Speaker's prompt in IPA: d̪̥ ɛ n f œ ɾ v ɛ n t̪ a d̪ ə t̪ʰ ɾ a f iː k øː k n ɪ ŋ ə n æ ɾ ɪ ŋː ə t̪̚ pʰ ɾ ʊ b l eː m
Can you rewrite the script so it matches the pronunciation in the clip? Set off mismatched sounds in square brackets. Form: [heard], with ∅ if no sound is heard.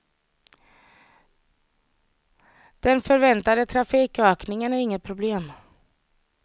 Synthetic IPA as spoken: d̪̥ ɛ n f œ ɾ v ɛ n t̪ a d̪ ə t̪ʰ ɾ a f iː k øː k n ɪ ŋ ə n æ ɾ ɪ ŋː ə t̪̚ pʰ ɾ ʊ b l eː m

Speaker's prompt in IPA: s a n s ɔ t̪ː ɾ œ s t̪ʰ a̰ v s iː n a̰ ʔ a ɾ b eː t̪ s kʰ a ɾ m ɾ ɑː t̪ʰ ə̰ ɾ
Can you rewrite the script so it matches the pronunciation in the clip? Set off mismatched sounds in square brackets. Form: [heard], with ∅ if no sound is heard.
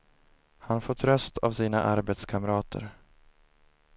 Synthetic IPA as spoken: [h] a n [f] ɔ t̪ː ɾ œ s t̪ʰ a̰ v s iː n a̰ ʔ a ɾ b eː t̪ s kʰ a [∅] m ɾ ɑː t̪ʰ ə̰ ɾ

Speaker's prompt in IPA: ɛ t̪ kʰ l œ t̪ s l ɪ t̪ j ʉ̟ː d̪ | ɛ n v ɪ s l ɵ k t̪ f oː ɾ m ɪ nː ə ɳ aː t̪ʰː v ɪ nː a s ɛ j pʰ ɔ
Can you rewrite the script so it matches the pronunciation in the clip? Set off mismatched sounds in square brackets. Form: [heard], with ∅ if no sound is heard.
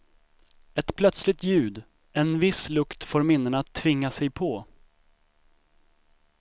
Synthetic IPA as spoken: ɛ t̪ [pʰ] l œ t̪ s l ɪ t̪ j ʉ̟ː d̪ | ɛ n v ɪ s l ɵ k t̪ f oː ɾ m ɪ nː ə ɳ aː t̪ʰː v ɪ [ŋː] a s ɛ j pʰ ɔ

